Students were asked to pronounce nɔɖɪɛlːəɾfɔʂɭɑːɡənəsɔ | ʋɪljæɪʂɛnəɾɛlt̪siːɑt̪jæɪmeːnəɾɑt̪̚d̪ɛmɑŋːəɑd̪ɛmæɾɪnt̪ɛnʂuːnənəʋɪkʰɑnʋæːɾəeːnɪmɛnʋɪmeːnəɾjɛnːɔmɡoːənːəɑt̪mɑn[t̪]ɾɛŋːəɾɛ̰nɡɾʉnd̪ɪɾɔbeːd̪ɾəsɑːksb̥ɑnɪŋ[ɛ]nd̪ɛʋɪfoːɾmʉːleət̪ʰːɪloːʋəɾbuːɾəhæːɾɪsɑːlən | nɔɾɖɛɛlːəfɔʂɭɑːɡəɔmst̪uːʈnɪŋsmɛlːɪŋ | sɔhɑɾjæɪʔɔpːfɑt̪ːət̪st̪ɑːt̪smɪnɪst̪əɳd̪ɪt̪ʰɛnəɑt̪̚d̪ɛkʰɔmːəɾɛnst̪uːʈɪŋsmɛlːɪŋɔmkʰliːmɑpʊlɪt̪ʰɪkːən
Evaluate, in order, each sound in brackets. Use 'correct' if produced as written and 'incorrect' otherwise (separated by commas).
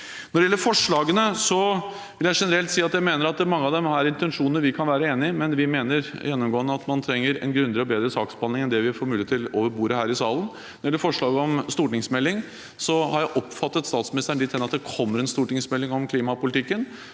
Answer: incorrect, correct